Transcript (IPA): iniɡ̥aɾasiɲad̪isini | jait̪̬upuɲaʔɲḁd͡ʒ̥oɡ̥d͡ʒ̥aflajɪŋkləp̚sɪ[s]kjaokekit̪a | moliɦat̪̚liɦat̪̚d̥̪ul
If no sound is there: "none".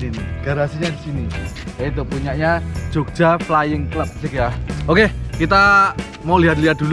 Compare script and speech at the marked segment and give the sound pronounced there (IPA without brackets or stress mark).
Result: none